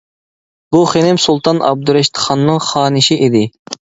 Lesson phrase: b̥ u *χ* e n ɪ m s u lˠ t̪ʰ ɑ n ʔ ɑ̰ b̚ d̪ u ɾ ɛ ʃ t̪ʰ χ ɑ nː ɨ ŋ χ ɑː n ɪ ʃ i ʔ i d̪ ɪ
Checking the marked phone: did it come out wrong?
no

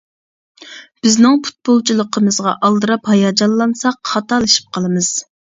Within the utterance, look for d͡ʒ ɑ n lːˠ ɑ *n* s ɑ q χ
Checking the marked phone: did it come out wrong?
no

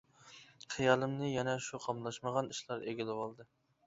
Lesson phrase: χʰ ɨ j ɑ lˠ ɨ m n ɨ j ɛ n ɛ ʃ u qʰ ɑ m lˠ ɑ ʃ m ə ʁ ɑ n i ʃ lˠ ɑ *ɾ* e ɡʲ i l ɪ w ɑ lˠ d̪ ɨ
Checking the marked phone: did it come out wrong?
no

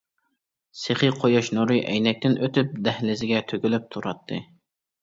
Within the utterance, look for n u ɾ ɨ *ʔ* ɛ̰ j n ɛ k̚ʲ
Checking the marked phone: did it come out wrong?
no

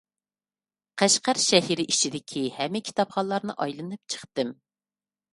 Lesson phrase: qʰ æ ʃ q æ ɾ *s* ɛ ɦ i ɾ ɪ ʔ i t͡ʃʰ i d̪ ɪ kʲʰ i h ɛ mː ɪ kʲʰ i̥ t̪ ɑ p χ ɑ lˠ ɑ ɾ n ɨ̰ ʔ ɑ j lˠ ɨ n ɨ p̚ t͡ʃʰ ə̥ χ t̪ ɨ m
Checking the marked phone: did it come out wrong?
yes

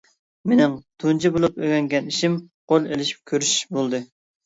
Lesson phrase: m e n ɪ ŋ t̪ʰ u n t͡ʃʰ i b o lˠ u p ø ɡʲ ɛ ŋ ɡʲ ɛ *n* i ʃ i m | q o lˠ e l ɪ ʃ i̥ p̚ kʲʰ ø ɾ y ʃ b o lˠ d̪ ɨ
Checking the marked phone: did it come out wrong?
no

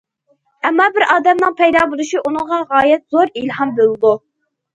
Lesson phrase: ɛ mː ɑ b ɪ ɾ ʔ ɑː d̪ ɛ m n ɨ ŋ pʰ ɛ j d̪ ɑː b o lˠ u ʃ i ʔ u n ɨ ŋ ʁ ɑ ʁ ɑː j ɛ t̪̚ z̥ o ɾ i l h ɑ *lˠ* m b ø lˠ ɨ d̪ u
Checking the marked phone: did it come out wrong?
yes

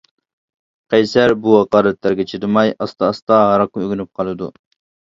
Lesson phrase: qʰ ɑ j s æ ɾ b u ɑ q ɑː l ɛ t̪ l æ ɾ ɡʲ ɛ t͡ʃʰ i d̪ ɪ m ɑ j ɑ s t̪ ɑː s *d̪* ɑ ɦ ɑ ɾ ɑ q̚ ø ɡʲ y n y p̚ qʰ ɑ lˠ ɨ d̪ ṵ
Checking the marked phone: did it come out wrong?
yes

